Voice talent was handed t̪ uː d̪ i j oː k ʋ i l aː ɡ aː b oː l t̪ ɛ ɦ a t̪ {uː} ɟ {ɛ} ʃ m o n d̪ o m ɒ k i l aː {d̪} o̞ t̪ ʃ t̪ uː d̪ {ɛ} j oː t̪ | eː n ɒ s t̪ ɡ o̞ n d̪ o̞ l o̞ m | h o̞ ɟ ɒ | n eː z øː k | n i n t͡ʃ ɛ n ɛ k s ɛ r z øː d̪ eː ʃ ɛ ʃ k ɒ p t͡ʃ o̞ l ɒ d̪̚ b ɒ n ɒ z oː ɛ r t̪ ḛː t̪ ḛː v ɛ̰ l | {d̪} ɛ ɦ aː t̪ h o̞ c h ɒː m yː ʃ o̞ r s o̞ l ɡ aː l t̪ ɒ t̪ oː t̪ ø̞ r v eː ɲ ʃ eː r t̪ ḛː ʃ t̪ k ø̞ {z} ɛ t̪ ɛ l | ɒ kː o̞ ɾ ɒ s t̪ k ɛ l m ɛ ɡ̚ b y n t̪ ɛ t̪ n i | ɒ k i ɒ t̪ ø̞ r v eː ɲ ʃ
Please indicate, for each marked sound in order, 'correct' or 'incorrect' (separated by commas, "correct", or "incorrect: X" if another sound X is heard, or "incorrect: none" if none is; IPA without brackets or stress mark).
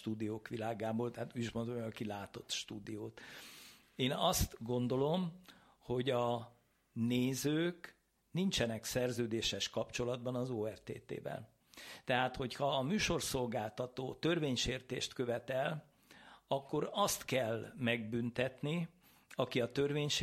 correct, incorrect: i, incorrect: t̪, incorrect: i, incorrect: t̪, incorrect: v